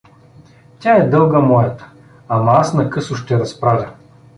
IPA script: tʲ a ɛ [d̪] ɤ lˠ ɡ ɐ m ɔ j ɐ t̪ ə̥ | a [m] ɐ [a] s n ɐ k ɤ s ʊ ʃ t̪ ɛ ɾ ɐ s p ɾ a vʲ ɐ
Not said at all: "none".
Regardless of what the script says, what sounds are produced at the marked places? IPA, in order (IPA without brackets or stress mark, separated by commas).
d̪, m, a